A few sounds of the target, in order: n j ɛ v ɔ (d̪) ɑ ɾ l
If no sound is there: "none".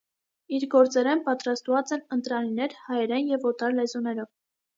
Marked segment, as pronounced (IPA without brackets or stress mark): t̪